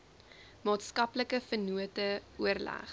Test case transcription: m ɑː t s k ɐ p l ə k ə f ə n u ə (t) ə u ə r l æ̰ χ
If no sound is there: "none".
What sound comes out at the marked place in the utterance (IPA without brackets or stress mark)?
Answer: t